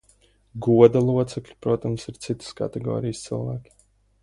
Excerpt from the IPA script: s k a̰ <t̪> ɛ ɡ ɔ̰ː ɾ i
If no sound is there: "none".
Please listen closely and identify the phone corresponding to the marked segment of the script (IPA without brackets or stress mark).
t̪